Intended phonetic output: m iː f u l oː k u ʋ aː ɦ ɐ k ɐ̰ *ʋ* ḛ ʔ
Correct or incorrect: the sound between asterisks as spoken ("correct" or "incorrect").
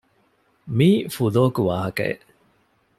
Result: incorrect